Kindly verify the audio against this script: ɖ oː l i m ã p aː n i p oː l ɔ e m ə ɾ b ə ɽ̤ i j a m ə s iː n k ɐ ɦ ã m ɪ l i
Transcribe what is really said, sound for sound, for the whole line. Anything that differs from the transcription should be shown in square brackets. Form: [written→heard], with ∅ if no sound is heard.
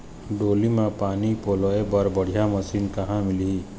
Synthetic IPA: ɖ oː l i m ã p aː n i p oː l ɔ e [m→b] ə ɾ b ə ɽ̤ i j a m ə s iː n k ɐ ɦ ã m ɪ l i